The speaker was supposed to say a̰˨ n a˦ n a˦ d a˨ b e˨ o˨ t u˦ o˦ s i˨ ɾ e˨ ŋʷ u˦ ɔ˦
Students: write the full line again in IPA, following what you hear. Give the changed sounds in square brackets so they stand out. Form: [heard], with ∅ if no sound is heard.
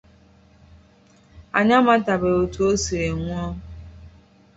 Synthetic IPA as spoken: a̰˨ [ɲ] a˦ [m] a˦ [t] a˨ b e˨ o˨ t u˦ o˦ s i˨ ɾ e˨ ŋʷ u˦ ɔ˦